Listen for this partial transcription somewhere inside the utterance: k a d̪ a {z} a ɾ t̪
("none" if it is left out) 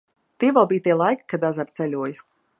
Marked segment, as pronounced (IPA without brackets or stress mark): z